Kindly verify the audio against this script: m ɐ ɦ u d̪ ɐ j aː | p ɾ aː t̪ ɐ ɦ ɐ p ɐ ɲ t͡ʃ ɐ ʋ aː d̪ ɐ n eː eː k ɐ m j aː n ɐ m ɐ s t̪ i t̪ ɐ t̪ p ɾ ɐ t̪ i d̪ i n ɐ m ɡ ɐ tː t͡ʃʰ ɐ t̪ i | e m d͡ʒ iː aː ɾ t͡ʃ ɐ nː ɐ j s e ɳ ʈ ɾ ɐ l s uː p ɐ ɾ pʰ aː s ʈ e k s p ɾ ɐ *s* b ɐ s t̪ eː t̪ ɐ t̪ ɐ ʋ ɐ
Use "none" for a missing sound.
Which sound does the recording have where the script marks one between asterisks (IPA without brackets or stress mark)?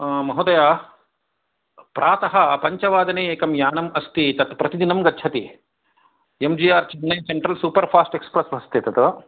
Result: s